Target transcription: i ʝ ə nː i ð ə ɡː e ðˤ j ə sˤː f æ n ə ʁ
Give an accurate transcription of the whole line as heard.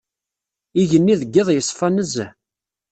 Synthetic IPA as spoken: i ʝ ə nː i ð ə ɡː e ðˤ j ə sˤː f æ n ə z